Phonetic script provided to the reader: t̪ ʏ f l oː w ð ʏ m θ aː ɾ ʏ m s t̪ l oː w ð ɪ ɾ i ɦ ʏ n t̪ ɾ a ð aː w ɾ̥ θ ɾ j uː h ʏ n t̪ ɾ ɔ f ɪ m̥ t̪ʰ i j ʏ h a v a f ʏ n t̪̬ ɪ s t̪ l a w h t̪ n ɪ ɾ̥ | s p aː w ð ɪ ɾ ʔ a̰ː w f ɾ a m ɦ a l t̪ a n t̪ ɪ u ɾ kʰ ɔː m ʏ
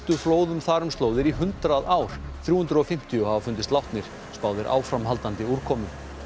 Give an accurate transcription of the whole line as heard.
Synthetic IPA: t̪ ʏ f l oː w ð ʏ m θ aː ɾ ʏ m s t̪ l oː w ð ɪ ɾ i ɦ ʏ n t̪ ɾ a ð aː w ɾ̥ θ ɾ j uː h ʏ n t̪ ɾ ɔ f ɪ m̥ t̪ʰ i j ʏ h a v a f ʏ n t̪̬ ɪ s t̪ l a w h t̪ n ɪ ɾ̥ | s p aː w ð ɪ ɾ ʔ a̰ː w f ɾ a m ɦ a l t̪ a n t̪ ɪ u ɾ kʰ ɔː m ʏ